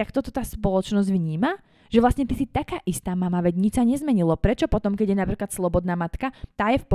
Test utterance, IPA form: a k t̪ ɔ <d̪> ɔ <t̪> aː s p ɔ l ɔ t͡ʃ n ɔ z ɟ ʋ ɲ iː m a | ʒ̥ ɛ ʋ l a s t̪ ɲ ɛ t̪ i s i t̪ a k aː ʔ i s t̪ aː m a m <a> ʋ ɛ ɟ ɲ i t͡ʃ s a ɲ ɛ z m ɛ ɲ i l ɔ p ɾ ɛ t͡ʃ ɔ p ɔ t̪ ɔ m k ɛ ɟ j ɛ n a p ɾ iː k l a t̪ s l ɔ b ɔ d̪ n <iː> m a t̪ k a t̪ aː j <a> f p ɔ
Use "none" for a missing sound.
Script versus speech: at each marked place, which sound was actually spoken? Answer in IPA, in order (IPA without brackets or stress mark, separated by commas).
t̪, t̪, a, aː, ɛ